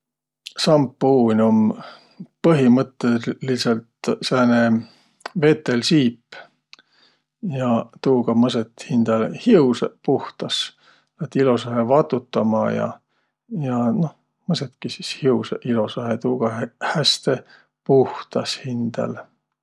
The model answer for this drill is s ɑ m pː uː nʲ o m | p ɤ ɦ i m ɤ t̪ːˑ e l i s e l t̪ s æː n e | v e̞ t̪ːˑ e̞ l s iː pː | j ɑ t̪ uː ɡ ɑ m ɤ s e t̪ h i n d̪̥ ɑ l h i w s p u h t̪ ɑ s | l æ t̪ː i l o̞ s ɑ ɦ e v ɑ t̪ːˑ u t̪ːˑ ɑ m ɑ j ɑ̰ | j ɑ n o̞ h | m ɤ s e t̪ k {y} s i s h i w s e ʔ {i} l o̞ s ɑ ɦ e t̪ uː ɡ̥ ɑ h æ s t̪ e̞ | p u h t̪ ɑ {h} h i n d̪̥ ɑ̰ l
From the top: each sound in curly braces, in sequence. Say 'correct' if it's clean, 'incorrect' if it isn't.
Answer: incorrect: i, correct, incorrect: s

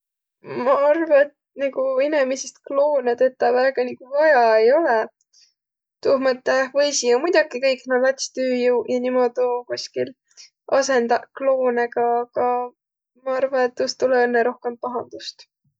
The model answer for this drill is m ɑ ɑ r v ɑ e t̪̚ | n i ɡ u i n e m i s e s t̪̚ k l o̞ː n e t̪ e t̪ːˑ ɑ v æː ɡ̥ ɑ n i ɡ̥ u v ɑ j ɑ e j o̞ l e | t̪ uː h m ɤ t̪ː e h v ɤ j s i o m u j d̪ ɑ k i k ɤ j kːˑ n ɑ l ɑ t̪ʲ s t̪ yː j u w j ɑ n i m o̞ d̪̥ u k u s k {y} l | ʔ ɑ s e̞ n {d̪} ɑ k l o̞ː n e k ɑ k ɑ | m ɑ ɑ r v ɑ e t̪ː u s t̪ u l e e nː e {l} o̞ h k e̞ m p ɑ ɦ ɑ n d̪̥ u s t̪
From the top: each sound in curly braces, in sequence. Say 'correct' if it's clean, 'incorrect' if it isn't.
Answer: incorrect: i, correct, incorrect: ɾ

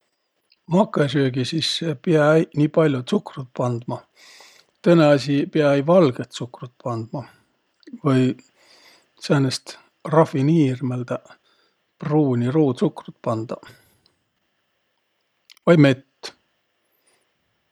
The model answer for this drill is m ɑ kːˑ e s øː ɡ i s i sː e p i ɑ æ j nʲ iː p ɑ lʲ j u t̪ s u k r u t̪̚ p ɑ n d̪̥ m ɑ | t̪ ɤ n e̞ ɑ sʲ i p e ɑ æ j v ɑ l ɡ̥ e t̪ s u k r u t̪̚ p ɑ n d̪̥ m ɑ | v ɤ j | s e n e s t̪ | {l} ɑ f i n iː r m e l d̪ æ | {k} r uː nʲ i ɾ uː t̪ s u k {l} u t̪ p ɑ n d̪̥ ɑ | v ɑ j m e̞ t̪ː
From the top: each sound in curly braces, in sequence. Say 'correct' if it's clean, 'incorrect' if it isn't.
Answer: incorrect: r, incorrect: p, incorrect: r

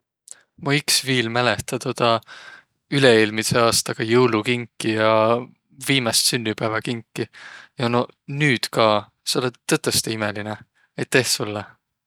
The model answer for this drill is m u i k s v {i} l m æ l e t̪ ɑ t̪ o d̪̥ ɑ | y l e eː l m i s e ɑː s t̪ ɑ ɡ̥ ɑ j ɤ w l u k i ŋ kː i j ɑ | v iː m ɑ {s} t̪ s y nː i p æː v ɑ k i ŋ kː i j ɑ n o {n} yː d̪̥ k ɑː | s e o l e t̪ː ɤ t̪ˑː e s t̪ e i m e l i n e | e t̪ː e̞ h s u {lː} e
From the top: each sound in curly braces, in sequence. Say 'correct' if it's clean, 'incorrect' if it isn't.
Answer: incorrect: iː, correct, correct, correct

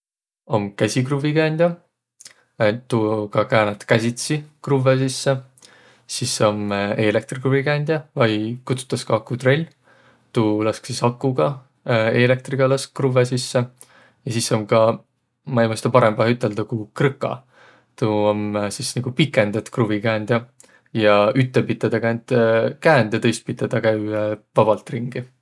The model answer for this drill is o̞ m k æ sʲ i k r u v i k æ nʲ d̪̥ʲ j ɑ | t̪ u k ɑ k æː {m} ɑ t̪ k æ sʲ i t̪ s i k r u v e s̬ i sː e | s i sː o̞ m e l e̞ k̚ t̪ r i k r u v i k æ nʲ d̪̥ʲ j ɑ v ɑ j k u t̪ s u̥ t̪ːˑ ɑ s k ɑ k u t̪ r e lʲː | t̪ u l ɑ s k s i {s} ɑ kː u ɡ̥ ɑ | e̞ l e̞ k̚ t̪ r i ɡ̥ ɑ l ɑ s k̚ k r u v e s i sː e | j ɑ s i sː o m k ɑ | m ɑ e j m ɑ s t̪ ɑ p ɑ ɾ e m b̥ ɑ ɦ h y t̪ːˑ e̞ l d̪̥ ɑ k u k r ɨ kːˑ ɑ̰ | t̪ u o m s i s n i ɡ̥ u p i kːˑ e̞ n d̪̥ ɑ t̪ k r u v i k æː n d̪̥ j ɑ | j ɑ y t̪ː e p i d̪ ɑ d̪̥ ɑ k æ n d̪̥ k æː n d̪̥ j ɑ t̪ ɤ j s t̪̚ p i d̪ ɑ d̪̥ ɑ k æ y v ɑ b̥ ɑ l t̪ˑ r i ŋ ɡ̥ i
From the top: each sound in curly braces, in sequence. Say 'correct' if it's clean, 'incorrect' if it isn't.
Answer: incorrect: n, correct

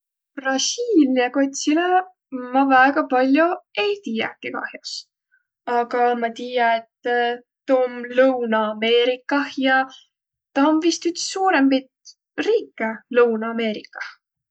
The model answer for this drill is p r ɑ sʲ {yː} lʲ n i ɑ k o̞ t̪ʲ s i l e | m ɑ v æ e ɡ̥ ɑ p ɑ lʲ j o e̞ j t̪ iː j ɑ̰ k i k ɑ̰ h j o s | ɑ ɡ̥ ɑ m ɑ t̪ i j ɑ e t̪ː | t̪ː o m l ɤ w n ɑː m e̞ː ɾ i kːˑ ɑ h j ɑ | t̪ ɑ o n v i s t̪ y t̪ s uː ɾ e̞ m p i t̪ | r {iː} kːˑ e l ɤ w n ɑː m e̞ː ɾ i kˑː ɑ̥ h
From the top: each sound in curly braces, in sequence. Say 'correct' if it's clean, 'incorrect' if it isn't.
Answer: incorrect: iː, correct

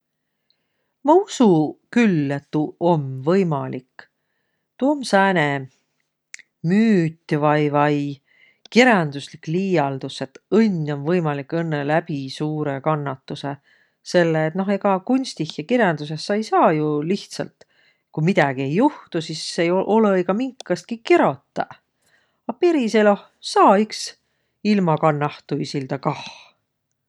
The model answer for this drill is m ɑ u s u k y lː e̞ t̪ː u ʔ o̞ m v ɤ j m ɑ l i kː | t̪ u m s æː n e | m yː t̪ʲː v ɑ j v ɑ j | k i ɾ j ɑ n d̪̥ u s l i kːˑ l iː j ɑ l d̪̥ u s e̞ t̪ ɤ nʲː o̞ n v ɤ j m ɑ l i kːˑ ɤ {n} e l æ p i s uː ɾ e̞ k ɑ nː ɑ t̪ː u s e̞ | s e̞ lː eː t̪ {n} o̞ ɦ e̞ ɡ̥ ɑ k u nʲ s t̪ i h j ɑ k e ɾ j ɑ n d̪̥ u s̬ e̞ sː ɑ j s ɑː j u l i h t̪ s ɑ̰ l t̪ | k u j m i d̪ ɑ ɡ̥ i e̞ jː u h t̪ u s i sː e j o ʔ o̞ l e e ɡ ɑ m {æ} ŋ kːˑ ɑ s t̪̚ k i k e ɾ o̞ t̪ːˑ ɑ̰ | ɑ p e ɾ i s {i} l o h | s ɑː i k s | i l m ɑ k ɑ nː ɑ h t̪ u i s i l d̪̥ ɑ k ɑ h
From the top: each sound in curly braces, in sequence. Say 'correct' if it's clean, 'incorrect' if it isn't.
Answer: incorrect: nː, correct, incorrect: i, incorrect: e

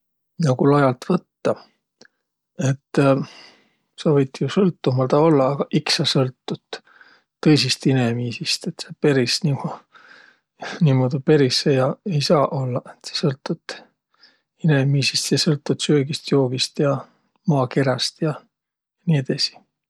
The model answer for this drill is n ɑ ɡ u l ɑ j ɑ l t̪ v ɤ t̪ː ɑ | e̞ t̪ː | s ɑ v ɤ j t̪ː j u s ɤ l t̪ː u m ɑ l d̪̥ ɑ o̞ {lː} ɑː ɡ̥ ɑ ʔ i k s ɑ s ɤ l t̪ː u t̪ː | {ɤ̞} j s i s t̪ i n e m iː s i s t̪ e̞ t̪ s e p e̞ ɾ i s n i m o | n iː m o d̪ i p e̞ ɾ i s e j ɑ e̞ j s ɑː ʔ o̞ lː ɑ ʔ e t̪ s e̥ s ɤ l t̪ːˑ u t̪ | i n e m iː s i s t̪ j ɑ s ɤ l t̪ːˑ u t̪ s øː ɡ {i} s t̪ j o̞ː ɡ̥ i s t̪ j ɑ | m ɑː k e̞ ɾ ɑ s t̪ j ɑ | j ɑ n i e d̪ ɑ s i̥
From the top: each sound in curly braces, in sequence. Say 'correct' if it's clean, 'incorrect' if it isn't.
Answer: correct, correct, correct

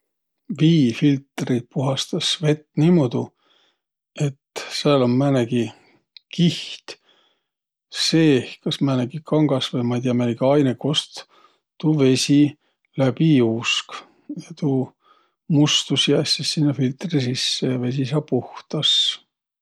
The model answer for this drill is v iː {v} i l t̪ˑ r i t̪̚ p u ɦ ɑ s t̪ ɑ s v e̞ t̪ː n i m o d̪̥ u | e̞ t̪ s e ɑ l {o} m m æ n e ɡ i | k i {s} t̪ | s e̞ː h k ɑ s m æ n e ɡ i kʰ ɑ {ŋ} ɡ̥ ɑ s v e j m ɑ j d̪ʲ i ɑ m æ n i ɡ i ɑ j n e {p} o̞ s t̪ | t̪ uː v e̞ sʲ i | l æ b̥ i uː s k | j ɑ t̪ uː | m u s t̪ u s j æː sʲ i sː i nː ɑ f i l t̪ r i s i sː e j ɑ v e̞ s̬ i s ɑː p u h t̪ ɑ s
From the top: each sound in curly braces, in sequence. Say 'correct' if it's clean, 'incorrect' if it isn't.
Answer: incorrect: f, correct, incorrect: h, correct, incorrect: k

